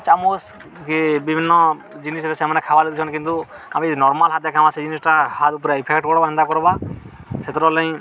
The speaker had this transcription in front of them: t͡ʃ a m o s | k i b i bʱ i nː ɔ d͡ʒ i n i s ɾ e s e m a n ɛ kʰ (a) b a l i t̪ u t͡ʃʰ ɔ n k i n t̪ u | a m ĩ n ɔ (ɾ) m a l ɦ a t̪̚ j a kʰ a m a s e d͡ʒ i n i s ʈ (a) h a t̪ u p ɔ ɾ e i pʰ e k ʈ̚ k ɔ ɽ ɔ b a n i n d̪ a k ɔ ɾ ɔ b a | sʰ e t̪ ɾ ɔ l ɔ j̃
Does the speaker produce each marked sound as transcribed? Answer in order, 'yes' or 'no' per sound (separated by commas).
yes, yes, yes